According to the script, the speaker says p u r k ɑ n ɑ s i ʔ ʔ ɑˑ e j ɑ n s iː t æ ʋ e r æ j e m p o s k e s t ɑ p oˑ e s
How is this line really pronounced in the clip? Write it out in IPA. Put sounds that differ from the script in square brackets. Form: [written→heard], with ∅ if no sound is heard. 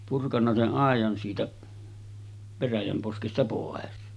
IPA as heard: p u r k ɑ [n→nː] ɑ s [i→e] ʔ ʔ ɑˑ e j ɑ n s iː t æ ʋ e r æ j [e→æ] m p o s k e s t ɑ p oˑ e s

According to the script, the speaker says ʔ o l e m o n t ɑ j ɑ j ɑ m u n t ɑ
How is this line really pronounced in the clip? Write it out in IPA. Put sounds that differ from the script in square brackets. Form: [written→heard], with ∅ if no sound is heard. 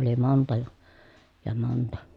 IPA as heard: ʔ o l [e→i] m o n t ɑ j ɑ j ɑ m [u→o] n t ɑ

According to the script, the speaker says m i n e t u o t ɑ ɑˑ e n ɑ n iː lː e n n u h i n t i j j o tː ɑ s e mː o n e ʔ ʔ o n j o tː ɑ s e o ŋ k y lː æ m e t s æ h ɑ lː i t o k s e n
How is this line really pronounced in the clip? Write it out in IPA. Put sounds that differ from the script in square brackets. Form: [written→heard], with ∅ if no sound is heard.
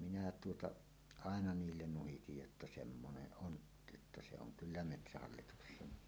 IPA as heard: m i n [e→æ] t u o t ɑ ɑˑ e n ɑ n iː lː e n n u h i [n→∅] t i j j o tː ɑ s e mː o n e ʔ ʔ o n j o tː ɑ s e o ŋ k y lː æ m e t s æ h ɑ lː i t [o→u] k s e n

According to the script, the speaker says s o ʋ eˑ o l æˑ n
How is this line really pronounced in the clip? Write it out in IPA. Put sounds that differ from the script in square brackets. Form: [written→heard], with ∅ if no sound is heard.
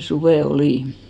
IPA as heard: s [o→u] ʋ eˑ o l [æˑ→iˑ] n

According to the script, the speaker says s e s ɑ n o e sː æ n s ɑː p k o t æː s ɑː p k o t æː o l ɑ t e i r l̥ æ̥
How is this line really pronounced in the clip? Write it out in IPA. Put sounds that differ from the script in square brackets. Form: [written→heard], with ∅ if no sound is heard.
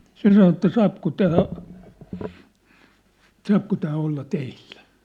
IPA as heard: s e s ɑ n o e [sː→tː] æ [n→∅] s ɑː p k o t æː s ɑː p k o t æː o [l→lː] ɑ t e i [r→l] l̥ æ̥

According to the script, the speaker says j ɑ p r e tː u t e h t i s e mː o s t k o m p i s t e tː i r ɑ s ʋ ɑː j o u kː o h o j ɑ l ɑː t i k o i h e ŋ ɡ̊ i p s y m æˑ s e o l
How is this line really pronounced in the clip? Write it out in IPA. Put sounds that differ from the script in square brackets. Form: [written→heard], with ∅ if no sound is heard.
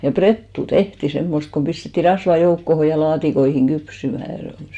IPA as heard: j ɑ p r e tː u t e h t i s e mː o s t k o m p i s t e tː i r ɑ s ʋ [ɑː→ɑ] j o u kː o h o j ɑ l ɑː t i k o i h [e→i] ŋ ɡ̊ [i→y] p s y m æˑ s e o l

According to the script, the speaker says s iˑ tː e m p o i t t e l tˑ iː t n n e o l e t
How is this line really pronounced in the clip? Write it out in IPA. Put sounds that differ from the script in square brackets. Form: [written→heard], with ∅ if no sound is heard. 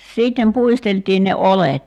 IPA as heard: s iˑ tː e m p [o→u] i [t→s] t e l tˑ iː [t→∅] n n e o l e t

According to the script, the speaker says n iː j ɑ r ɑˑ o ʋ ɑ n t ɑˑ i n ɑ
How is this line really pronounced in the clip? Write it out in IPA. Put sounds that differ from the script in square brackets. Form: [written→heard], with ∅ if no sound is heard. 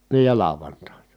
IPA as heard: n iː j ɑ [r→l] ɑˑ o ʋ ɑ n t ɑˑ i n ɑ

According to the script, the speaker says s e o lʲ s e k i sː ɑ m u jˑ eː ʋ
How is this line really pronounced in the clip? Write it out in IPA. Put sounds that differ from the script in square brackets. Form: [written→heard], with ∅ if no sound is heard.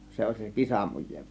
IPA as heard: s e o lʲ s e k i [sː→s] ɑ m u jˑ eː ʋ

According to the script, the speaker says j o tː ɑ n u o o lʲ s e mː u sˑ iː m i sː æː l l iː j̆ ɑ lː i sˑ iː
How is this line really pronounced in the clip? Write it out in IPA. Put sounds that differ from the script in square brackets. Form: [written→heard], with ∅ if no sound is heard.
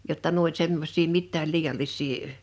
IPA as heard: j o tː ɑ n u o o lʲ s e mː [u→o] sˑ iː m i [sː→tː] æː l l iː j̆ ɑ lː i sˑ iː

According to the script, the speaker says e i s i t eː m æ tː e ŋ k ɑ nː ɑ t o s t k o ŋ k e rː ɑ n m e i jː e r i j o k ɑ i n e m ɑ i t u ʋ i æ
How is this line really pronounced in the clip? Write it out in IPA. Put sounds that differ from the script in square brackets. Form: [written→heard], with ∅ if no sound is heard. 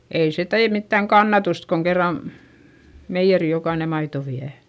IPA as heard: e i s [i→e] t eː m [æ→i] tː [e→æ] ŋ k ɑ nː ɑ t [o→u] s t k o ŋ k e rː ɑ n m e i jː e r i j o k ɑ i n e m ɑ i t [u→o] ʋ i æ

